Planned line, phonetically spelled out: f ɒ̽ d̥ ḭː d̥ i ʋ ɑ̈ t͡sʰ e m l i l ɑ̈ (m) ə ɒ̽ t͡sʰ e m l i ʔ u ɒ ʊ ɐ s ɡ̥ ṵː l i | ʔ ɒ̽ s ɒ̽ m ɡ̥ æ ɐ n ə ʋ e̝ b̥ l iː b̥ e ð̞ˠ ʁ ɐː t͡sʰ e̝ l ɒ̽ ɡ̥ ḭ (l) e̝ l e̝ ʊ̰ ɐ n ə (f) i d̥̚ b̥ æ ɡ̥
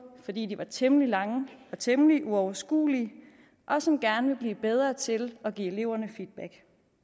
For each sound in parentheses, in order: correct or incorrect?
incorrect: ŋ, incorrect: none, correct

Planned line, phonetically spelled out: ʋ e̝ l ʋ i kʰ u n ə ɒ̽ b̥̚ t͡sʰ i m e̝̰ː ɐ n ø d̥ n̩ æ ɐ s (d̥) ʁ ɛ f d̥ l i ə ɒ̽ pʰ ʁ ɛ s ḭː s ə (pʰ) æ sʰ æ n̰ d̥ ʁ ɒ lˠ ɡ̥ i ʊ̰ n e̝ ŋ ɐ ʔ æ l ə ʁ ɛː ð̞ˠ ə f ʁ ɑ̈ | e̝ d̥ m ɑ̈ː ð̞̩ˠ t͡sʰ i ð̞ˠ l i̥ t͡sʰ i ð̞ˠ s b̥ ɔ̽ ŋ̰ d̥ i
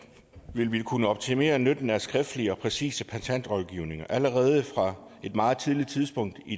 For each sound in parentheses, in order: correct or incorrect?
incorrect: ɡ̥, correct

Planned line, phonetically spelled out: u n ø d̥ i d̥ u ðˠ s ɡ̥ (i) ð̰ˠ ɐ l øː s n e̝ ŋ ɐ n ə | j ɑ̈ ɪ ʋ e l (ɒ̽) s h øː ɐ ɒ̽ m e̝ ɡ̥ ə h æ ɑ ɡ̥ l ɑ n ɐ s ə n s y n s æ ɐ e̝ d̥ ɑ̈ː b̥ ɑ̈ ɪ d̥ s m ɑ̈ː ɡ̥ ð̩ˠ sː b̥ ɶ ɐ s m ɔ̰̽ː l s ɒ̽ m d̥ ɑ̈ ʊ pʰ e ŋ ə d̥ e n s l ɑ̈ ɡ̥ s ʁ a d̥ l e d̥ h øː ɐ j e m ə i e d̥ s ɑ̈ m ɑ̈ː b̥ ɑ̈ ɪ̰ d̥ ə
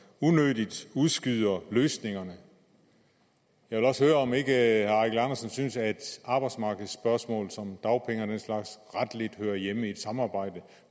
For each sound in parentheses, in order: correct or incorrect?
incorrect: y, correct

